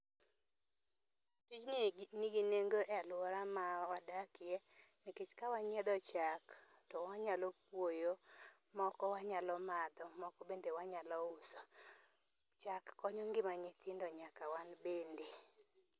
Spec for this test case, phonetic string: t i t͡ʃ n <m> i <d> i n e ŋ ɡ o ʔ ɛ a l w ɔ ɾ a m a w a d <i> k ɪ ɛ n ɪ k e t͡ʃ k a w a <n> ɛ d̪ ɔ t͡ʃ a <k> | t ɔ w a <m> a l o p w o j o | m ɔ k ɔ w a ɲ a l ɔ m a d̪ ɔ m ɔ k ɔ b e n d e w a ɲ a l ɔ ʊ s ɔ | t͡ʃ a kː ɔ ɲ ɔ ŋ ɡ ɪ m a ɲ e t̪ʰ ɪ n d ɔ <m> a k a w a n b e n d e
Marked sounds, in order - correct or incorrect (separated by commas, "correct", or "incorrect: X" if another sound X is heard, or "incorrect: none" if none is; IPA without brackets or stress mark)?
incorrect: n, incorrect: ɡ, incorrect: a, incorrect: ɲ, correct, incorrect: ɲ, incorrect: ɲ